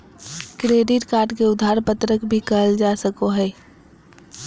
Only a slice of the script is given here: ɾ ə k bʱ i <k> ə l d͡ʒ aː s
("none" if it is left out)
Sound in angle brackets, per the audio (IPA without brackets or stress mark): k